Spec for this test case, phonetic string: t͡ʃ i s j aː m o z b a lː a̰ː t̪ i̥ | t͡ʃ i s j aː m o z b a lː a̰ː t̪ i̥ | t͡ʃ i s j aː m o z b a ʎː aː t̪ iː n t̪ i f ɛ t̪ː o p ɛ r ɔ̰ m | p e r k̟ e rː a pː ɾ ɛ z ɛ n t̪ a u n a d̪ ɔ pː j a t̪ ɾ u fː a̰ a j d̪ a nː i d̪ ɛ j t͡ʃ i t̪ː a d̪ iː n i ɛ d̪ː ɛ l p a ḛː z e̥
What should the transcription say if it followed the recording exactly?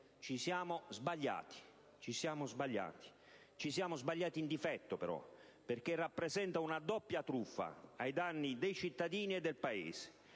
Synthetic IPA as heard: t͡ʃ i s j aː m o z b a ʎː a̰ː t̪ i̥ | t͡ʃ i s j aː m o z b a ʎː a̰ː t̪ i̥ | t͡ʃ i s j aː m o z b a ʎː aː t̪ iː n d̪ i f ɛ t̪ː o p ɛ ɾ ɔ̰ | p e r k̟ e rː a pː ɾ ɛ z ɛ n t̪ a u n a d̪ ɔ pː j a t̪ ɾ u fː a̰ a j d̪ a nː i d̪ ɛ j t͡ʃ i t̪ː a d̪ iː n i ɛ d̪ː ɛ l p a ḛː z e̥